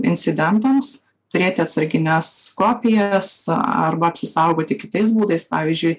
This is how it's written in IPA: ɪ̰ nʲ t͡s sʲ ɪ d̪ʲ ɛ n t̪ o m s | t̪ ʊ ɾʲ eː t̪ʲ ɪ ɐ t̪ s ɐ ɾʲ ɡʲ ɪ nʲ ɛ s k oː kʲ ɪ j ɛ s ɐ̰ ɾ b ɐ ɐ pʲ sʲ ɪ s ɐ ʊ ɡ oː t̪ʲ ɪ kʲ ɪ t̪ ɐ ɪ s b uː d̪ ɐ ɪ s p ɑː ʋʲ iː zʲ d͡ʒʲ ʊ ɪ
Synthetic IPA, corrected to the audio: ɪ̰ nʲ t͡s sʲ ɪ d̪ʲ ɛ n t̪ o m s | t̪ ʊ ɾʲ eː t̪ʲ ɪ ɐ t̪ s ɐ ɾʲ ɡʲ ɪ nʲ ɛ s k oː pʲ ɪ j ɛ s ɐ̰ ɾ b ɐ ɐ pʲ sʲ ɪ s ɐ ʊ ɡ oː t̪ʲ ɪ kʲ ɪ t̪ ɐ ɪ s b uː d̪ ɐ ɪ s p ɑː ʋʲ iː zʲ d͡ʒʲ ʊ ɪ